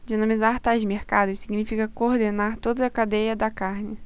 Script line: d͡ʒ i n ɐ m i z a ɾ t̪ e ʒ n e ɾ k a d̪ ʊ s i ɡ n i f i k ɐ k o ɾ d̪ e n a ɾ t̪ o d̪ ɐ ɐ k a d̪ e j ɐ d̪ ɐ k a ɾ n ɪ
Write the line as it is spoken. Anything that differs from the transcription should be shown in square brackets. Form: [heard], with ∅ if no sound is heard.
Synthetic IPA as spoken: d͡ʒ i n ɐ m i z a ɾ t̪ [a] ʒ [m] e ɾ k a d̪ ʊ s i ɡ n i f i k ɐ k o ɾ d̪ e n a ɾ t̪ o d̪ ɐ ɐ k a d̪ e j ɐ d̪ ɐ k a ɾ n ɪ